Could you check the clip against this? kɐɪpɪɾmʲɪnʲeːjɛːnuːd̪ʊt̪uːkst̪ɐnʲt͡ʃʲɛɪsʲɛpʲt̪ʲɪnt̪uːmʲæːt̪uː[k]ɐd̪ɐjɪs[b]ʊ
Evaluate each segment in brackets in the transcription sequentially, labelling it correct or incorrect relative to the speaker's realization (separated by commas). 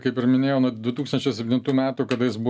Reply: correct, correct